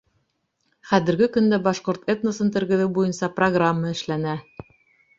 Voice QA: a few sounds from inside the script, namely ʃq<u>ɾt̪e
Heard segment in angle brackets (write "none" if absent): o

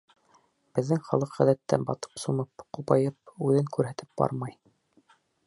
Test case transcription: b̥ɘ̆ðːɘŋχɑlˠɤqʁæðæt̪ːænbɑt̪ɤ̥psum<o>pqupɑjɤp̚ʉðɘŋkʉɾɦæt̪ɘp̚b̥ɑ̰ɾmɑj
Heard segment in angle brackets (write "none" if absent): ɤ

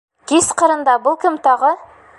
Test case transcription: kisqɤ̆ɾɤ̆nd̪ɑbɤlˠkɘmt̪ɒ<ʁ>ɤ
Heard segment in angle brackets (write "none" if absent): ʁ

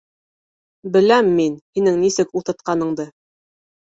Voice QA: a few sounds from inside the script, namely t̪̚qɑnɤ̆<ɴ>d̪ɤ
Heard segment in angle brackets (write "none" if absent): ɴ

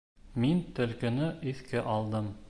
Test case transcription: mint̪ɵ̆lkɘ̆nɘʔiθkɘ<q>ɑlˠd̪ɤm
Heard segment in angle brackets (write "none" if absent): ʔ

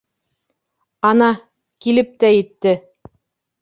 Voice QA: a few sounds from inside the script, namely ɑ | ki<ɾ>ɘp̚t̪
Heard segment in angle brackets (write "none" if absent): l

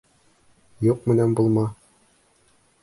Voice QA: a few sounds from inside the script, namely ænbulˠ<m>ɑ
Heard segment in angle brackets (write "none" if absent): m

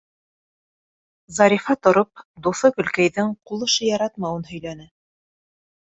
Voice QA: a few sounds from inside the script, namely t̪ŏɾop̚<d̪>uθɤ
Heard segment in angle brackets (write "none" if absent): d̪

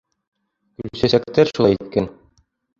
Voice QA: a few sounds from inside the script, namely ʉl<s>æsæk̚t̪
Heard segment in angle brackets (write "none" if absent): s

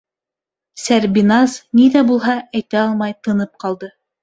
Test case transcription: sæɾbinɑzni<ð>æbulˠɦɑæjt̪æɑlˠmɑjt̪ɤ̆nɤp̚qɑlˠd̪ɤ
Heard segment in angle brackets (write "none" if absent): ð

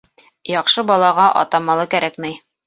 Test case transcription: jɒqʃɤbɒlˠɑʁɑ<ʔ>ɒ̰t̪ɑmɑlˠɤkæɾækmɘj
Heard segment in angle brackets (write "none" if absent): ʔ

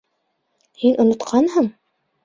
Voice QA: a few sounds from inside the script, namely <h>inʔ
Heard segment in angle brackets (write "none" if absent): h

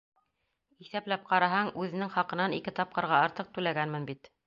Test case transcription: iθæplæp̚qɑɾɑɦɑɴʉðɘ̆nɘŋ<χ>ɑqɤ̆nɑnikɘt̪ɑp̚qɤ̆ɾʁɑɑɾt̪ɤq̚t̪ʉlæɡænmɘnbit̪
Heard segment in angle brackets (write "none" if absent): χ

